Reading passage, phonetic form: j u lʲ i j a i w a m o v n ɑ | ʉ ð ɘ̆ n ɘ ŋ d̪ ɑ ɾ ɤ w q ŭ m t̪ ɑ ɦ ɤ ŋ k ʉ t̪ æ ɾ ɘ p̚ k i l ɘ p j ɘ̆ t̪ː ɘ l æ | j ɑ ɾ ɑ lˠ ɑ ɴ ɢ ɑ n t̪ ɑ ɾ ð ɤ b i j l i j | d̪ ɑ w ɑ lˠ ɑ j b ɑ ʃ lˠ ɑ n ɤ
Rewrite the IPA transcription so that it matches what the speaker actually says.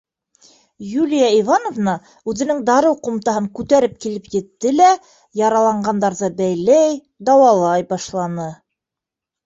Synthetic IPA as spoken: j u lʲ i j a i v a n o v n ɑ | ʉ ð ɘ̆ n ɘ ŋ d̪ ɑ ɾ ɤ w q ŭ m t̪ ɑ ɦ ɤ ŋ k ʉ t̪ æ ɾ ɘ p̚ k i l ɘ p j ɘ̆ t̪ː ɘ l æ | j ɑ ɾ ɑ lˠ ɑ ɴ ɢ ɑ n d̪ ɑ ɾ ð ɤ b æ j l æ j | d̪ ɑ w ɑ lˠ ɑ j b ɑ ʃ lˠ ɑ n ɤ